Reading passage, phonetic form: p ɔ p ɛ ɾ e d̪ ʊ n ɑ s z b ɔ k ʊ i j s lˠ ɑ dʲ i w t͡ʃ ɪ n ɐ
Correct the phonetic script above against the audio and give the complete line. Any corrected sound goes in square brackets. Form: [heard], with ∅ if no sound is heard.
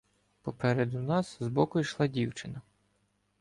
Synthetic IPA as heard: p ɔ p ɛ ɾ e d̪ ʊ n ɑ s z b ɔ k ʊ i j [ʃ] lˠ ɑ dʲ i w t͡ʃ ɪ n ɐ

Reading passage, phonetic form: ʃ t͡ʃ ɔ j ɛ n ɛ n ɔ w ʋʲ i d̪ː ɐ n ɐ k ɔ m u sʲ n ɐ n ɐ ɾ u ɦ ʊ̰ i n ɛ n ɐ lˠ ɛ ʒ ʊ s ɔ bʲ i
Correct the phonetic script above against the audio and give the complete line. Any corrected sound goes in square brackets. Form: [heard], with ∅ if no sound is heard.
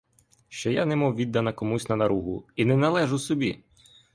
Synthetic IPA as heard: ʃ t͡ʃ ɔ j [a] n ɛ [m] ɔ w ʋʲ i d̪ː ɐ n ɐ k ɔ m u sʲ n ɐ n ɐ ɾ u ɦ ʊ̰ i n ɛ n ɐ lˠ ɛ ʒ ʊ s ɔ bʲ i

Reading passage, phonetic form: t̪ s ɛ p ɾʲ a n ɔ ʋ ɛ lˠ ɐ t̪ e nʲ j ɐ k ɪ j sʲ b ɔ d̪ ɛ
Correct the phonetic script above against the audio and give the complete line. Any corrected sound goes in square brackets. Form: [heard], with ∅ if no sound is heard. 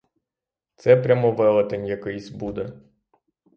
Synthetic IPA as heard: t̪ s ɛ p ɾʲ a [m] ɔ ʋ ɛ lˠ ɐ t̪ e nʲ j ɐ k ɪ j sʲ b [u] d̪ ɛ

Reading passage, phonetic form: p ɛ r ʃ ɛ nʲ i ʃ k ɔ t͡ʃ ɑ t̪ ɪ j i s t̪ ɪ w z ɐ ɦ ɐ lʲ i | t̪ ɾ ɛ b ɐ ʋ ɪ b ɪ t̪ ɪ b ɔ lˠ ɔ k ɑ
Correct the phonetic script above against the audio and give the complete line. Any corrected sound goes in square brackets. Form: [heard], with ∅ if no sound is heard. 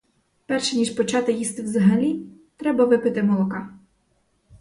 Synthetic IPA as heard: p ɛ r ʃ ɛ nʲ i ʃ [p] ɔ t͡ʃ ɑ t̪ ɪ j i s t̪ ɪ w z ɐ ɦ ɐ lʲ i | t̪ ɾ ɛ b ɐ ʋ ɪ [p] ɪ t̪ ɪ [m] ɔ lˠ ɔ k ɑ

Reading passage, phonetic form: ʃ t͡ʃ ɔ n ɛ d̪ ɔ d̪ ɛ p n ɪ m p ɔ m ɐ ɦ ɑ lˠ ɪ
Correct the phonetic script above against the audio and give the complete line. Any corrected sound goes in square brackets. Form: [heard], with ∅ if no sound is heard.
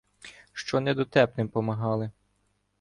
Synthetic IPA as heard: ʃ t͡ʃ ɔ n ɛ d̪ ɔ [t̪] ɛ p n ɪ m p ɔ m ɐ ɦ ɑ lˠ ɪ

